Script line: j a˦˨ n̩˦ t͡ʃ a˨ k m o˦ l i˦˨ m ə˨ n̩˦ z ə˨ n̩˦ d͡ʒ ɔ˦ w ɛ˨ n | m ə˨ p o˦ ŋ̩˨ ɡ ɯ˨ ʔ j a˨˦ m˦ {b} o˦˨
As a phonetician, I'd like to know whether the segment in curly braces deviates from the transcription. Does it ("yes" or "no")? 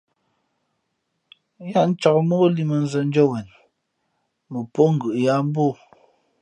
no